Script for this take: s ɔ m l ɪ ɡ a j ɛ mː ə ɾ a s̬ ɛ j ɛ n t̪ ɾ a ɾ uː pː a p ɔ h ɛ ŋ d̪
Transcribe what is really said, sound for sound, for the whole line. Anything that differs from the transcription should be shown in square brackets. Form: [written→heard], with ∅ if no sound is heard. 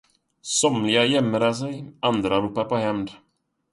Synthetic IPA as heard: s ɔ m l ɪ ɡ a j ɛ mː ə ɾ a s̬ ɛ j [ɛ→a] n [t̪→d̪] ɾ a ɾ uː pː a p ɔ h ɛ [ŋ→m] d̪